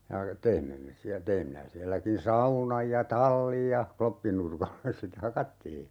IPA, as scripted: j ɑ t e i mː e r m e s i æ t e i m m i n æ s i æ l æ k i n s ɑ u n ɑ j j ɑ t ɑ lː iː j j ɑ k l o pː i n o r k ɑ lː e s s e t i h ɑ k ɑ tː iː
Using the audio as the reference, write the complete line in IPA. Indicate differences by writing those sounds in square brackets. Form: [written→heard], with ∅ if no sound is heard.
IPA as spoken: j ɑ t e i mː e [r→∅] m e s i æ t e i m m i n æ s i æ [l→lː] æ k i n s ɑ u n ɑ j j ɑ t ɑ lː [iː→i] j j ɑ k l o pː i n [o→u] r k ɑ lː e s s e t [i→e] h ɑ k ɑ tː iː